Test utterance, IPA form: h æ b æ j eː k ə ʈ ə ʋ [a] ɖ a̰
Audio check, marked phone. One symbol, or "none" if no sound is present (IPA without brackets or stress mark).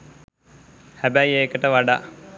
a